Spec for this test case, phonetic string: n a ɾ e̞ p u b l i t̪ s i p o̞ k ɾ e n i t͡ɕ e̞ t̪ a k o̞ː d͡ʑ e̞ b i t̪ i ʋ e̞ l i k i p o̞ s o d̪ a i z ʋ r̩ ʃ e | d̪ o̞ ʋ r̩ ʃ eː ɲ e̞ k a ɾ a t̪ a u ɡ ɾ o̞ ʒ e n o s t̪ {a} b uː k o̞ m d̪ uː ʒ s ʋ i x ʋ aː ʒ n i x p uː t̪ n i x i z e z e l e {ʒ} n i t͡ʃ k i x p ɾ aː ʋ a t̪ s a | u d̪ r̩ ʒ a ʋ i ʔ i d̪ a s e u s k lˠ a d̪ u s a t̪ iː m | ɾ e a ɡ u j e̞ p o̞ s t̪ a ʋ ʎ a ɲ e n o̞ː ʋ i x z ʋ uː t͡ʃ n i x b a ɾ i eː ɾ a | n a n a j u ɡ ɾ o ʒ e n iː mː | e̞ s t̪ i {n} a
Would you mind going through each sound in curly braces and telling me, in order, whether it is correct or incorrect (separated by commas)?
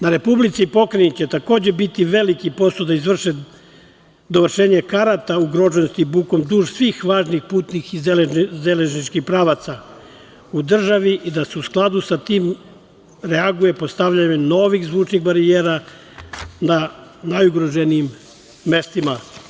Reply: incorrect, correct, incorrect